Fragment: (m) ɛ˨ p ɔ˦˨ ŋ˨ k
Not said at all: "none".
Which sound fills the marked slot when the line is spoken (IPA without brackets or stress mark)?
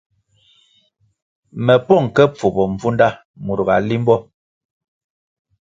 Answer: m